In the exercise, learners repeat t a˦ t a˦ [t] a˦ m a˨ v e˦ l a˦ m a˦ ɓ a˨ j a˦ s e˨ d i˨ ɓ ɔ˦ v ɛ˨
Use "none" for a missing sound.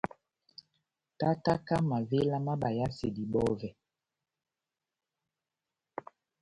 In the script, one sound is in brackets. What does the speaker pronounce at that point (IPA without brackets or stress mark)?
k